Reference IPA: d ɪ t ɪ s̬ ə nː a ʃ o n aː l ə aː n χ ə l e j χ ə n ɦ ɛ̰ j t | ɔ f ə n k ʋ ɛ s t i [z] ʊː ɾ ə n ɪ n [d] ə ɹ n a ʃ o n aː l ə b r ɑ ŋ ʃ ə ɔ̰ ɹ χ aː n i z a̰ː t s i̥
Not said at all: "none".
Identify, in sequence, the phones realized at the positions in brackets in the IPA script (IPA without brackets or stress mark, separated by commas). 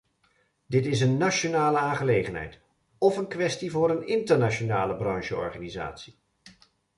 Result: v, t